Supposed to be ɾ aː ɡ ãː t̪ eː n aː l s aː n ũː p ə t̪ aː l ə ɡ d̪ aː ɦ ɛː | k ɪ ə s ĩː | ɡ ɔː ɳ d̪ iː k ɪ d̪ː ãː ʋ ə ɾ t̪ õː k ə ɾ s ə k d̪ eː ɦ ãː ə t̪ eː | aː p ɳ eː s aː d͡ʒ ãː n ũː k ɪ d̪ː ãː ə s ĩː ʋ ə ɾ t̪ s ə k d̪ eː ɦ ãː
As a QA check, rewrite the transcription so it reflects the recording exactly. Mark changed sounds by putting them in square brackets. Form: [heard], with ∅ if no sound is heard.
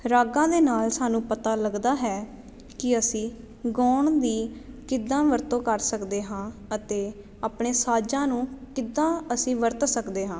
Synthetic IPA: ɾ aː ɡ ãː [d̪] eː n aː l s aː n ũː p ə t̪ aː l ə ɡ d̪ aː ɦ ɛː | k ɪ ə s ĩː | ɡ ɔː ɳ d̪ iː k ɪ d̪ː ãː ʋ ə ɾ t̪ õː k ə ɾ s ə k d̪ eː ɦ ãː ə t̪ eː | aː p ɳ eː s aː d͡ʒ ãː n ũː k ɪ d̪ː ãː ə s ĩː ʋ ə ɾ t̪ s ə k d̪ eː ɦ ãː

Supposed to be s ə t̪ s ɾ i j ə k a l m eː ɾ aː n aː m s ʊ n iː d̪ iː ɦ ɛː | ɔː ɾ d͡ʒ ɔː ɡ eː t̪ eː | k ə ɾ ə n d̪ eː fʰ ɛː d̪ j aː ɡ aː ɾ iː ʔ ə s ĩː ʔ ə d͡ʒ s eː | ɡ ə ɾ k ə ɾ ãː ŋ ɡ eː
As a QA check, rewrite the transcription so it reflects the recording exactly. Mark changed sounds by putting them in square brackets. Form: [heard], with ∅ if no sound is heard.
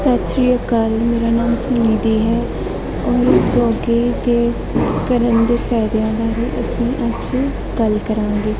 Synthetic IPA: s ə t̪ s ɾ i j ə k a l m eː ɾ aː n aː m s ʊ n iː d̪ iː ɦ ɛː | ɔː ɾ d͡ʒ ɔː ɡ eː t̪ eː | k ə ɾ ə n d̪ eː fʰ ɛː d̪ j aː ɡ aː ɾ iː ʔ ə s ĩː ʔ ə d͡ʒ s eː | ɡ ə [l] k ə ɾ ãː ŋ ɡ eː

